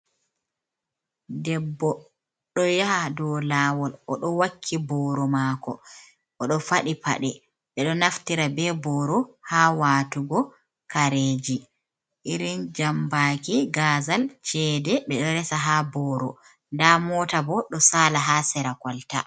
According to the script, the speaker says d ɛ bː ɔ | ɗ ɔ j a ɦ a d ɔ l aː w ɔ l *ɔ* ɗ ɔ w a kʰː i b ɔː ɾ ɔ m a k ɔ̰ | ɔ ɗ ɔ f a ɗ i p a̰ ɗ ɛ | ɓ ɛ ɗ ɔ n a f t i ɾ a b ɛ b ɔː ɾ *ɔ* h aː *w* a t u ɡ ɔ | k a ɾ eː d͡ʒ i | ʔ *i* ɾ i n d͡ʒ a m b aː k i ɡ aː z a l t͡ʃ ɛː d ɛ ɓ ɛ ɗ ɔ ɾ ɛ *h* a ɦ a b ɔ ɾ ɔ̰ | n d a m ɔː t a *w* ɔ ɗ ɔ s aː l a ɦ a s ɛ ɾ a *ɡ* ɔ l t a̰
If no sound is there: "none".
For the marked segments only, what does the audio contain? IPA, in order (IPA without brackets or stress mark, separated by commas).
ɔ, ɔ, w, i, s, b, k